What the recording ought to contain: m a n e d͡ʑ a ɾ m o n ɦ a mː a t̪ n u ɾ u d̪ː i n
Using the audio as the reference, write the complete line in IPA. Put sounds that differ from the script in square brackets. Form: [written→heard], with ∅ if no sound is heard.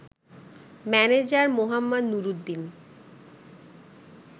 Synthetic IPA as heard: m [a→ɛ] n e d͡ʑ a ɾ m o [n→∅] ɦ a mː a [t̪→d̪] n u ɾ u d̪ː i n